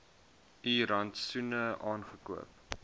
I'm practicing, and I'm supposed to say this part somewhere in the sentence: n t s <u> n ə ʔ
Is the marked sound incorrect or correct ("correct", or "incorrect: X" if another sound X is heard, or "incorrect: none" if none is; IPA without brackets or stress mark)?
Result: correct